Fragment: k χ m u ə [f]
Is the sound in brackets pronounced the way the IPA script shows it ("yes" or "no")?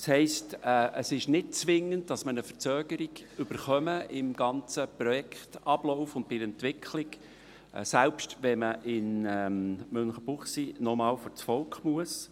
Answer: no